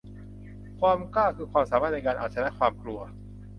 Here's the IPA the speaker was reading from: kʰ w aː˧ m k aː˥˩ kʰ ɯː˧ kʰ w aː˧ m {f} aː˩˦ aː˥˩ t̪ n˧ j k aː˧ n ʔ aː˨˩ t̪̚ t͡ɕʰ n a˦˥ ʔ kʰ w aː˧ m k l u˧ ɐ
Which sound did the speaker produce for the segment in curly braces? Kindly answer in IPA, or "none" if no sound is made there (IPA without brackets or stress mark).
s